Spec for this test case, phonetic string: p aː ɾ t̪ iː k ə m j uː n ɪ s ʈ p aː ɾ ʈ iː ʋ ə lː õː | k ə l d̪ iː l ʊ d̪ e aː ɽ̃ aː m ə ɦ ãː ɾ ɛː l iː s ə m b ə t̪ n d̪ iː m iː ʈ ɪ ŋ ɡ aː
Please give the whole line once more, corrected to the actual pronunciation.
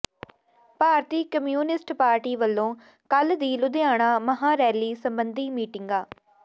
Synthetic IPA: p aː ɾ t̪ iː k ə m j uː n ɪ s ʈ p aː ɾ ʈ iː ʋ ə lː õː | k ə l d̪ iː l ʊ d̪ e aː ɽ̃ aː m ə ɦ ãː ɾ ɛː l iː s ə m b ə n d̪ iː m iː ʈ ɪ ŋ ɡ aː